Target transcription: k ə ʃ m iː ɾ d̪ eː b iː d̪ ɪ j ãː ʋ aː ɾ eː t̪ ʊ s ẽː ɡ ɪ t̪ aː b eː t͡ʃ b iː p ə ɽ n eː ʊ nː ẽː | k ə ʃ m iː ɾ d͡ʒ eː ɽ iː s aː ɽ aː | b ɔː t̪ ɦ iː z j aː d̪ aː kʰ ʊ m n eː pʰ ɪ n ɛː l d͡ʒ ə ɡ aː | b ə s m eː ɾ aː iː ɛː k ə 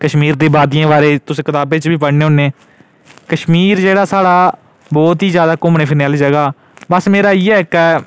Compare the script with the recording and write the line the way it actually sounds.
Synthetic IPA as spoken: k ə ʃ m iː ɾ d̪ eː b aː d̪ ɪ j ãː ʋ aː ɾ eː t̪ ʊ s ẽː k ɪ t̪ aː b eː t͡ʃ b iː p ə ɽ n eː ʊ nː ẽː | k ə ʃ m iː ɾ d͡ʒ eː ɽ aː s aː ɽ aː | b ɔː t̪ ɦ iː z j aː d̪ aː k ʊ m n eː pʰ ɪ n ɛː l d͡ʒ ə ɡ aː | b ə s m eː ɾ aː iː ɛː k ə